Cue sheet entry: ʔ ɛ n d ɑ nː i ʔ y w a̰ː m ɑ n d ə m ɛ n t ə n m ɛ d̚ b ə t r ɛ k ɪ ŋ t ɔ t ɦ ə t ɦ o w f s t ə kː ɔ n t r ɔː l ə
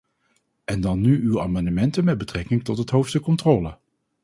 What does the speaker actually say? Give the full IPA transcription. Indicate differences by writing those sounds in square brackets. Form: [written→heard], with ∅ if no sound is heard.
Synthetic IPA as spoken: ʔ ɛ n d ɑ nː [i→y] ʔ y w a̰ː m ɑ n d ə m ɛ n t ə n m ɛ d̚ b ə t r ɛ k ɪ ŋ t ɔ t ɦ ə t ɦ o w f s t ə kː ɔ n t r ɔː l ə